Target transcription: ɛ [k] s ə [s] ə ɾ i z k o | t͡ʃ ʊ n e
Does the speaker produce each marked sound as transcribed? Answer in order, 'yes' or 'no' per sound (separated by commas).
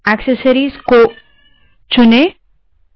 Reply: yes, yes